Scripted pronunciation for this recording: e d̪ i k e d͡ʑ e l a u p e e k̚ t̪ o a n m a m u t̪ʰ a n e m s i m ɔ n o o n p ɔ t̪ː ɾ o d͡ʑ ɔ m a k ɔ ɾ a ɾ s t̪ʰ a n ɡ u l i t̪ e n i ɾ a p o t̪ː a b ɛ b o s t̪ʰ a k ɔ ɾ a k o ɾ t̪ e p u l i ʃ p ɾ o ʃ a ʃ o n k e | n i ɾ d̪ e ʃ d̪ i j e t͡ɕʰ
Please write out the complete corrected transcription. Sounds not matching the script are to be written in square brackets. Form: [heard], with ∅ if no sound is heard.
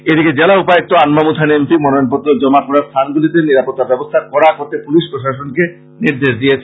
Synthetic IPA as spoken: e d̪ i k e d͡ʑ e l a u p [a] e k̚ t̪ o a n m a m u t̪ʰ a n e m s i m ɔ n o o n p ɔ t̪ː ɾ o d͡ʑ ɔ m a k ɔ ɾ a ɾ s t̪ʰ a n ɡ u l i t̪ e n i ɾ a p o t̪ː a b ɛ b o s t̪ʰ a k ɔ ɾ a k o ɾ t̪ e p u l i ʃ p ɾ o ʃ a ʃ o n k e | n i ɾ d̪ e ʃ d̪ i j e t͡ɕʰ

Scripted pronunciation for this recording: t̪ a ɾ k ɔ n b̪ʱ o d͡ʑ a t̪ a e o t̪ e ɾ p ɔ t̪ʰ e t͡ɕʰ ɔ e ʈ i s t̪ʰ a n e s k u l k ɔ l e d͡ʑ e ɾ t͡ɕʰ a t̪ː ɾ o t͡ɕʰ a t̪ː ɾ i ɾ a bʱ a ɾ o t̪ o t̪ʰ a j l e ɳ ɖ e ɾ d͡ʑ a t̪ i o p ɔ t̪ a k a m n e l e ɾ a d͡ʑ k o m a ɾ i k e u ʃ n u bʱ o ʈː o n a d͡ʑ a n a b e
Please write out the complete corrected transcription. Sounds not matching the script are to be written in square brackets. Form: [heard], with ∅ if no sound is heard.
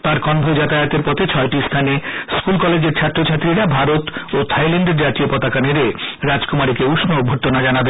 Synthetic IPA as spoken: t̪ a ɾ k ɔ n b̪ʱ o d͡ʑ a t̪ a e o t̪ e ɾ p ɔ t̪ʰ e t͡ɕʰ ɔ e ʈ i s t̪ʰ a n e s k u l k ɔ l e d͡ʑ e ɾ t͡ɕʰ a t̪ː ɾ o t͡ɕʰ a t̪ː ɾ i ɾ a bʱ a ɾ o t̪ o t̪ʰ a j l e ɳ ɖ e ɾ d͡ʑ a t̪ i o p ɔ t̪ a k a [∅] n e [ɾ] e ɾ a d͡ʑ k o m a ɾ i k e u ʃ n [o] bʱ o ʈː o n a d͡ʑ a n a b e

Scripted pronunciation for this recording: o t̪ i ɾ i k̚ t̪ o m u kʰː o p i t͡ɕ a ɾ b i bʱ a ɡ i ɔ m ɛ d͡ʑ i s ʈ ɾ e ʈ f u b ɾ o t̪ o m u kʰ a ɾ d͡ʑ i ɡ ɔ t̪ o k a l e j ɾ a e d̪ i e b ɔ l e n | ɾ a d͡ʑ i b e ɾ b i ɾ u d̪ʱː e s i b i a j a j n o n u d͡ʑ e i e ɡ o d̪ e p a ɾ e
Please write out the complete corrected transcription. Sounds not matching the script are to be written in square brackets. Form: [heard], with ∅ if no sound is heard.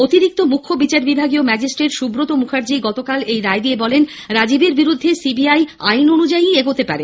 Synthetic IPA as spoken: o t̪ i ɾ i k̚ t̪ o m u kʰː o [b] i t͡ɕ a ɾ b i bʱ a ɡ i [o] m ɛ d͡ʑ i s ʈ ɾ e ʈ [ʃ] u b ɾ o t̪ o m u kʰ a ɾ d͡ʑ i ɡ ɔ t̪ o k a l e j ɾ a e d̪ i e b ɔ l e n | ɾ a d͡ʑ i b e ɾ b i ɾ u d̪ʱː e s i b i a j a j n o n u d͡ʑ [a] i e ɡ o [t̪] e p a ɾ e

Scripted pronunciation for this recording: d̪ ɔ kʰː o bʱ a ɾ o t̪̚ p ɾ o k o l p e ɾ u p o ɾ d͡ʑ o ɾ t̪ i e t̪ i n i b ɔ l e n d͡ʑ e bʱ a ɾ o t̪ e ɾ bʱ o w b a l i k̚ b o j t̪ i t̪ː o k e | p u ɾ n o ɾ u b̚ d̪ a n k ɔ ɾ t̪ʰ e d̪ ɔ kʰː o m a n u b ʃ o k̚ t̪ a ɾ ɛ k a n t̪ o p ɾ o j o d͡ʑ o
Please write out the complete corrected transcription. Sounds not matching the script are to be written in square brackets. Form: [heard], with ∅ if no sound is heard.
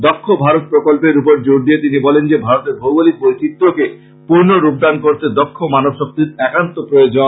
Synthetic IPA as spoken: d̪ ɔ kʰː o bʱ a ɾ o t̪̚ p ɾ o k o l p e ɾ u p o ɾ d͡ʑ o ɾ [d̪] i e t̪ i n i b ɔ l e n d͡ʑ e bʱ a ɾ o t̪ e ɾ bʱ o w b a l i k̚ b o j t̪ i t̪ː o k e | p u ɾ n o ɾ u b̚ d̪ a n k [o] ɾ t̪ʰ e d̪ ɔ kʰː o m a n [o] b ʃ o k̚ t̪ [i] ɾ ɛ k a n t̪ o p ɾ o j o d͡ʑ o

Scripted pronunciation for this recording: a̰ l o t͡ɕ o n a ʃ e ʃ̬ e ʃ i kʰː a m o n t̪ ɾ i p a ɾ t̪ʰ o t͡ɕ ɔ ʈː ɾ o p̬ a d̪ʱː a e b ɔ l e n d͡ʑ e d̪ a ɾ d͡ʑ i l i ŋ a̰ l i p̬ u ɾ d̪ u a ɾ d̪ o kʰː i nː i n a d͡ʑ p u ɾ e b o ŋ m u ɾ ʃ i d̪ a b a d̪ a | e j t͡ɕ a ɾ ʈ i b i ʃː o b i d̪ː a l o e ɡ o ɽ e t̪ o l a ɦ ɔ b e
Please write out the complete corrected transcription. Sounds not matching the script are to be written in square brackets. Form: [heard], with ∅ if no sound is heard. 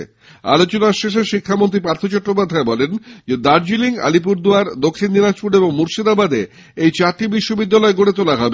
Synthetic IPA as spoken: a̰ l o t͡ɕ o n a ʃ e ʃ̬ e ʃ i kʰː a m o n t̪ ɾ i p a ɾ t̪ʰ o t͡ɕ ɔ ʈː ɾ o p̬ a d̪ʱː a e b ɔ l e n d͡ʑ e d̪ a ɾ d͡ʑ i l i ŋ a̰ l i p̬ u ɾ d̪ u a ɾ d̪ o kʰː i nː i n a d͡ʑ p u ɾ e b o ŋ m u ɾ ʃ i d̪ a b a d̪ [e] | e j t͡ɕ a ɾ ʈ i b i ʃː o b i d̪ː a l [ɔ] e ɡ o ɽ e t̪ o l a ɦ ɔ b e

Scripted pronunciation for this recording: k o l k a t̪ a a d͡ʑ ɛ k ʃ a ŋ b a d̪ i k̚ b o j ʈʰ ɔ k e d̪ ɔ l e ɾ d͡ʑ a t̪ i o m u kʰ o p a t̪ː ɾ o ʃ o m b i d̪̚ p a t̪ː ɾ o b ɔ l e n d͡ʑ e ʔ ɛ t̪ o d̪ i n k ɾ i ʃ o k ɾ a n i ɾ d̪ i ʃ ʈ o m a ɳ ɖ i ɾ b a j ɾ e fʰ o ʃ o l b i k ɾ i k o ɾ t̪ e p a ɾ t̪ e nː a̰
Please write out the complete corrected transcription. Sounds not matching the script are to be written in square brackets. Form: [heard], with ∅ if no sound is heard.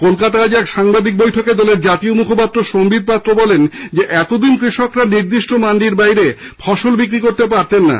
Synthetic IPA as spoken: k o l k a t̪ a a d͡ʑ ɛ k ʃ a ŋ b a d̪ i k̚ b o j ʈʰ [o] k e d̪ ɔ l e ɾ d͡ʑ a t̪ i o m u kʰ o p a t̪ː ɾ o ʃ o m b i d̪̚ p a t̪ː ɾ o b ɔ l e n d͡ʑ e ʔ ɛ t̪ o d̪ i n k ɾ i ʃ o k ɾ a n i ɾ d̪ i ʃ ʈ o m a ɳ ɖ i ɾ b a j ɾ e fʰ [ɔ] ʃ o l b i k ɾ i k o ɾ t̪ e p a ɾ t̪ e nː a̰

